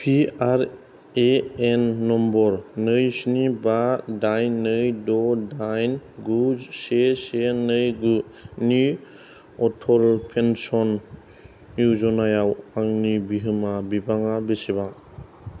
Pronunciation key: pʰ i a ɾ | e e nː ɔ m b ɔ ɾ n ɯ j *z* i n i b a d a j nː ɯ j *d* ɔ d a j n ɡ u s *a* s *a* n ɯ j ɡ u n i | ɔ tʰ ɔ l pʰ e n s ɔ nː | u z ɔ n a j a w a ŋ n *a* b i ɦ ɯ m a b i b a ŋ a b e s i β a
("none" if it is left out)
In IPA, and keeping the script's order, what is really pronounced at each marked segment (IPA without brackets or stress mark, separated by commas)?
s, d, e, e, i